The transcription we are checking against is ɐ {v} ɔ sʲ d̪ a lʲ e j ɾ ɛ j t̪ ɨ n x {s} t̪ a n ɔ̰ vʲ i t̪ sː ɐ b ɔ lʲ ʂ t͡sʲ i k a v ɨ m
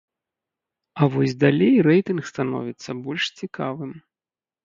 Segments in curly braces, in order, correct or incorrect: correct, correct

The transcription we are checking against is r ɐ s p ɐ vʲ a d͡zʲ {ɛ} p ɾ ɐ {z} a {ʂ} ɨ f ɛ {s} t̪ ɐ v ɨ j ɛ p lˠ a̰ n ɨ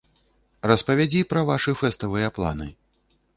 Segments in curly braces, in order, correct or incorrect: incorrect: i, incorrect: v, correct, correct

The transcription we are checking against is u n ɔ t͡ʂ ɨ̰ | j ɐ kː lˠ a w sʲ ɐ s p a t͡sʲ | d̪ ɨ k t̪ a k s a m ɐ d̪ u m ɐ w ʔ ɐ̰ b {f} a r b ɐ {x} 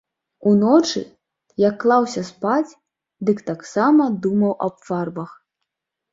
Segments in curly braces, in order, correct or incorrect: correct, correct

